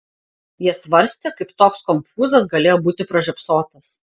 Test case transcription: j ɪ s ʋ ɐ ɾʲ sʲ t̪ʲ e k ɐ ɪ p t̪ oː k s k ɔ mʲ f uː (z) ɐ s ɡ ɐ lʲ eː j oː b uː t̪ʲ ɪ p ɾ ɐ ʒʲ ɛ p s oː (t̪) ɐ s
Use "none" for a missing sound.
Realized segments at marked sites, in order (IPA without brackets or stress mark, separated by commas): z, t̪